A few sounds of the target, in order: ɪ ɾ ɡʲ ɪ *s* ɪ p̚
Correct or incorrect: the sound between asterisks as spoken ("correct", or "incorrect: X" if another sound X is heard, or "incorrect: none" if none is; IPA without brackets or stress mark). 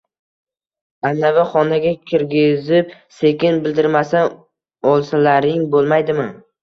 incorrect: z